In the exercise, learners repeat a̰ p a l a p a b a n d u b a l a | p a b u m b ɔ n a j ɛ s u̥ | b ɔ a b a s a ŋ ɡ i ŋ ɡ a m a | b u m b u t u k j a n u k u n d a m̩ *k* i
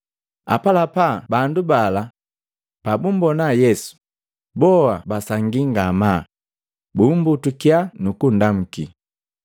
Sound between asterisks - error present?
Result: no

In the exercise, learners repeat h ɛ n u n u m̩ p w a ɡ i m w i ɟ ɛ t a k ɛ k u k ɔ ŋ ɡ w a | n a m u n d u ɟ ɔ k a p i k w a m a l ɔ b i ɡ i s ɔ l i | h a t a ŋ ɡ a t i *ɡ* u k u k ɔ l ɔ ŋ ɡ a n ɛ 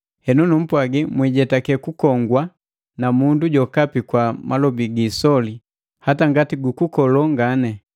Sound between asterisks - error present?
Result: no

